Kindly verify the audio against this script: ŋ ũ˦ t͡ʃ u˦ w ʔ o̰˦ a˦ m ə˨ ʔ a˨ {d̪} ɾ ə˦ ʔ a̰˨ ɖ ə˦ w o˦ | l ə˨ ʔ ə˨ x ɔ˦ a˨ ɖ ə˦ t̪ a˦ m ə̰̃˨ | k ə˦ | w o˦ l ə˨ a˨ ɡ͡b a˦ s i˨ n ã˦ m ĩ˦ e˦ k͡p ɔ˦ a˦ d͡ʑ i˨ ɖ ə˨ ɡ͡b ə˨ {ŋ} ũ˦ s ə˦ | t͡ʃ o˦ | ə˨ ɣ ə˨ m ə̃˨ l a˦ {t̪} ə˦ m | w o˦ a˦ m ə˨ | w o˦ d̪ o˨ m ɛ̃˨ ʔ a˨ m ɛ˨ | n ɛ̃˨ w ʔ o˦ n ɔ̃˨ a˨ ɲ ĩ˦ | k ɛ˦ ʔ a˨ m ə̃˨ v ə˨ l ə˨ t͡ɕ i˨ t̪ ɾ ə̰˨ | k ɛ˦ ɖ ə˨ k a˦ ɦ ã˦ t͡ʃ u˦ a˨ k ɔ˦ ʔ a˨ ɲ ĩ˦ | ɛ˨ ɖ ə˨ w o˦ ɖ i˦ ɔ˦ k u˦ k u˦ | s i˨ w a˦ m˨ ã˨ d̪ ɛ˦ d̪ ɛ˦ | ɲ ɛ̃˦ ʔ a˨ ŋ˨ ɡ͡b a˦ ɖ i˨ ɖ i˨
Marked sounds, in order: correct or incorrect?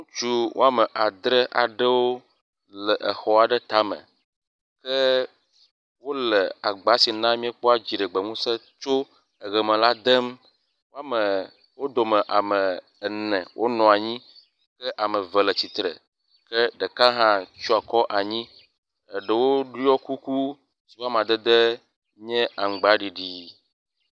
correct, correct, incorrect: d̪

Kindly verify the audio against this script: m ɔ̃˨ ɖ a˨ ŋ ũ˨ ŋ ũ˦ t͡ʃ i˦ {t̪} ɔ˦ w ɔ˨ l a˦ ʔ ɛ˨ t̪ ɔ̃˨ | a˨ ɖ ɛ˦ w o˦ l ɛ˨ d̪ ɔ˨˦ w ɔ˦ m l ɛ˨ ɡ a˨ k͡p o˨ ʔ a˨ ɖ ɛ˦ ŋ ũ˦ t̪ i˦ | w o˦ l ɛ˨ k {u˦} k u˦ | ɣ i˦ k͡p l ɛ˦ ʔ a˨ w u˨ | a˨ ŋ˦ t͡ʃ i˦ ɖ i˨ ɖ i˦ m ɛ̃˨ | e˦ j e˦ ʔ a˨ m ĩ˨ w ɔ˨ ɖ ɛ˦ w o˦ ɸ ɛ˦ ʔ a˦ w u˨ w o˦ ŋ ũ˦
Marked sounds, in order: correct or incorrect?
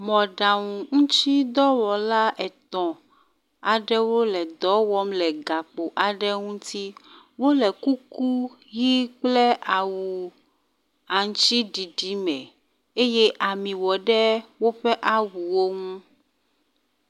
incorrect: d̪, correct

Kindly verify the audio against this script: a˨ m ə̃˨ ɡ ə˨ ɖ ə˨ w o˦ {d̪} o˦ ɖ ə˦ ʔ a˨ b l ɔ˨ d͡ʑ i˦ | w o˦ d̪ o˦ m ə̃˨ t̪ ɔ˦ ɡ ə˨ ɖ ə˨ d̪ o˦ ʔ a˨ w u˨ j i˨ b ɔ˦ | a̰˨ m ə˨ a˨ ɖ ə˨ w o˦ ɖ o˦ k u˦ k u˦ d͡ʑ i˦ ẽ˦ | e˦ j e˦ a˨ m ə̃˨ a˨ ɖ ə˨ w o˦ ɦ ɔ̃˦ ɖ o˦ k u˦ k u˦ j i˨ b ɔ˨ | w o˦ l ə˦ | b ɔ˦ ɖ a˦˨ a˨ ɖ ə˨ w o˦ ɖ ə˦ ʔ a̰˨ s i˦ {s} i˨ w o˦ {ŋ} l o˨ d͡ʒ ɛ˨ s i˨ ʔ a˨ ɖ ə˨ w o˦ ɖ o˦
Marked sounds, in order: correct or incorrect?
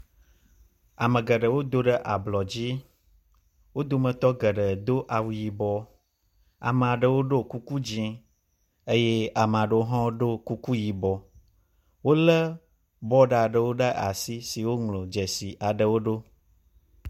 correct, correct, correct

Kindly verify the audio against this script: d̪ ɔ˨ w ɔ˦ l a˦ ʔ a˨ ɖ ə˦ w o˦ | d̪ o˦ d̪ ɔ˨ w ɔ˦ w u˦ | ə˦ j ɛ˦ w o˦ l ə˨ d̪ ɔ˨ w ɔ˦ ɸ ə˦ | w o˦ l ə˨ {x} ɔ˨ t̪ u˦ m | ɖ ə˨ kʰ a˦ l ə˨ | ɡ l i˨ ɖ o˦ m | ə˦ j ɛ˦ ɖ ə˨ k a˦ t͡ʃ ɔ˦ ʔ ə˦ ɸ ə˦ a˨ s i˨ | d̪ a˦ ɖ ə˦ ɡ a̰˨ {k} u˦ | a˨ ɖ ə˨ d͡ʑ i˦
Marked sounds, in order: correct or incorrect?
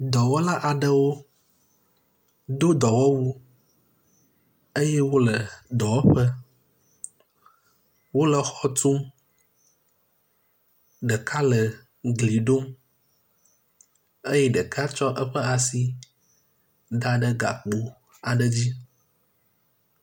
correct, incorrect: k͡p

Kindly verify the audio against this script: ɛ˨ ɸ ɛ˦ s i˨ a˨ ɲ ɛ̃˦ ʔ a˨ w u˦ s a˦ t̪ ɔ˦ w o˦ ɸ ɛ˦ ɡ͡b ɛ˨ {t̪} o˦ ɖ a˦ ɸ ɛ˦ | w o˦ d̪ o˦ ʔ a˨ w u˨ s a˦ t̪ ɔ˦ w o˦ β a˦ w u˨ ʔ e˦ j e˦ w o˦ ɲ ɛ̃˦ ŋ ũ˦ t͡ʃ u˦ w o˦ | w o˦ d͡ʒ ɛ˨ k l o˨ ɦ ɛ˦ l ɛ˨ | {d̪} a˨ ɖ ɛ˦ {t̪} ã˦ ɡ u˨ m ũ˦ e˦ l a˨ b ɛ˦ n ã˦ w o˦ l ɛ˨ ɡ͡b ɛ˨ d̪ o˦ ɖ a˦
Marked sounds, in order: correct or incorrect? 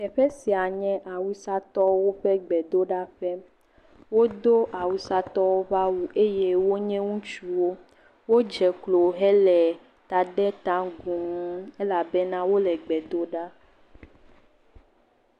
incorrect: d̪, incorrect: t̪, correct

